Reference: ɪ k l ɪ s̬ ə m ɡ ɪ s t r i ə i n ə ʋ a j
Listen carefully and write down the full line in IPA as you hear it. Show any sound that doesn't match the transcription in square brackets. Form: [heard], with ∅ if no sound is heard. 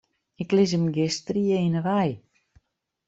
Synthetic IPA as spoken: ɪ k l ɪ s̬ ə m ɡ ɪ s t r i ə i n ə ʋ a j